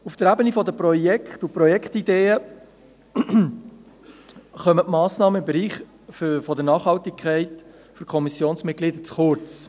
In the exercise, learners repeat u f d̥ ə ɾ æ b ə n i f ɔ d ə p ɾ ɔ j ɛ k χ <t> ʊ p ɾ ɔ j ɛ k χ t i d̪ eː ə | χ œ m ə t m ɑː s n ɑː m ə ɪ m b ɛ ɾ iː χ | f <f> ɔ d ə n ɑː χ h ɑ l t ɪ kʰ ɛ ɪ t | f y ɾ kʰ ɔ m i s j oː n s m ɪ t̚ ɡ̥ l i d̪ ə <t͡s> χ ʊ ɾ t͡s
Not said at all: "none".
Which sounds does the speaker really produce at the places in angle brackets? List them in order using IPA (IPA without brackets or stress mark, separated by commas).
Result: t, f, t͡s